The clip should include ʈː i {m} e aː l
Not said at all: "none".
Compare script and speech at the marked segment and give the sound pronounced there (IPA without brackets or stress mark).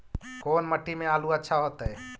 m